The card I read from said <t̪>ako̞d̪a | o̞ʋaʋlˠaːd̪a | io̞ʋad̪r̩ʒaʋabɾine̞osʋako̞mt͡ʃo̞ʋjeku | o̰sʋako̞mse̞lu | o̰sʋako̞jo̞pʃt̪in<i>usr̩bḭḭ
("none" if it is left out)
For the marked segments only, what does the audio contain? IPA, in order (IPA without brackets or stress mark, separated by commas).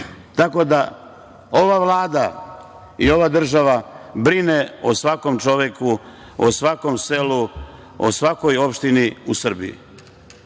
t̪, i